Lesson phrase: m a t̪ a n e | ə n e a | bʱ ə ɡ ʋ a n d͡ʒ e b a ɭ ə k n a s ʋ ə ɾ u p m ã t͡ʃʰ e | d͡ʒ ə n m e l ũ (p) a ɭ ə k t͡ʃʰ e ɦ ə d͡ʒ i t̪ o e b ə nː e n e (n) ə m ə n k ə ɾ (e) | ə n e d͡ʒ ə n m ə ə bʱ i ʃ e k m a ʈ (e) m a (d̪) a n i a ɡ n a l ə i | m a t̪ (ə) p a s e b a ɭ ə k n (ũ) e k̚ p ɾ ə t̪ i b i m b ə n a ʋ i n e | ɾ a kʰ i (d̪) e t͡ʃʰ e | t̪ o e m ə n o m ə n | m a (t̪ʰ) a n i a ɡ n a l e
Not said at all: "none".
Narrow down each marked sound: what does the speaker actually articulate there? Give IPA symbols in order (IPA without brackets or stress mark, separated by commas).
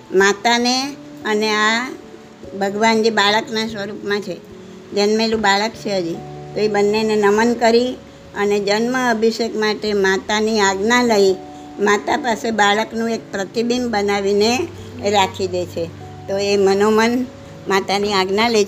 b, n, i, e, t̪, a, ũ, d̪, t̪